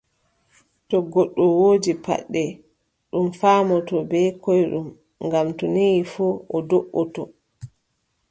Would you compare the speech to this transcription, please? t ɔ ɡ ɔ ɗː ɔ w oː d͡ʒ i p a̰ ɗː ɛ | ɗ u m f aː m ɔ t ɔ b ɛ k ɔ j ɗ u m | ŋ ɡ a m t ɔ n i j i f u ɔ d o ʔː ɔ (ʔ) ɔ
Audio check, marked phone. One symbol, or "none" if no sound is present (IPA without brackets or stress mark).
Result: t